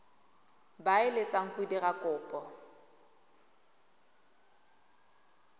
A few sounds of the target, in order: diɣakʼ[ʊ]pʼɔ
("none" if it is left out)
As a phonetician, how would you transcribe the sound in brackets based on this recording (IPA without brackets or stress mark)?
ʊː